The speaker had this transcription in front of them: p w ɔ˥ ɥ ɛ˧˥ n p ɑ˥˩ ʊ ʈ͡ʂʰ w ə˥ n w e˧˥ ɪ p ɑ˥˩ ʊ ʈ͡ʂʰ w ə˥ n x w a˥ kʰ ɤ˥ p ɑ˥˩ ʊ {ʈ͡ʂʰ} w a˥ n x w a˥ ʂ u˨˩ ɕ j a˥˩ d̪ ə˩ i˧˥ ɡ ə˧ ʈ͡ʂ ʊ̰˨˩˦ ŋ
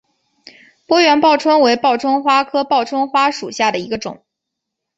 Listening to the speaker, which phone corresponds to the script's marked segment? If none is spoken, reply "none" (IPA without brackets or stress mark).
ʈ͡ʂʰ